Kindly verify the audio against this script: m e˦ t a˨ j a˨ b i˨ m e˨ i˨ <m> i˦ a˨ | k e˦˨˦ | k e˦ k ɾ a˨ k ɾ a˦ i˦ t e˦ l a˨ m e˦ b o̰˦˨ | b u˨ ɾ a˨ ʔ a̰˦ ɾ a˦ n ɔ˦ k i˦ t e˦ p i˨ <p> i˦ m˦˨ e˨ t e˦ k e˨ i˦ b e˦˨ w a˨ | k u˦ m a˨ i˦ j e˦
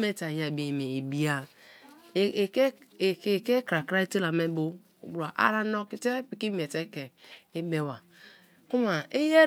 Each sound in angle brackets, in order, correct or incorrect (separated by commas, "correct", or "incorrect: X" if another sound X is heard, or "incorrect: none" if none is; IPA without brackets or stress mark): incorrect: b, incorrect: k